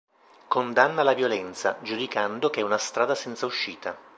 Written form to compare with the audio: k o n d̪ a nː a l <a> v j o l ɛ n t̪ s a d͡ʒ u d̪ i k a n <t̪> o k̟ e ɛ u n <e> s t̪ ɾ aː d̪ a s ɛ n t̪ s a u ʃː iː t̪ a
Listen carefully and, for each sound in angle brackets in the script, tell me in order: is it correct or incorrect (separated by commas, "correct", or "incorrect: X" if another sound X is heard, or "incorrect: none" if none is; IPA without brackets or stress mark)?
correct, incorrect: d̪, incorrect: a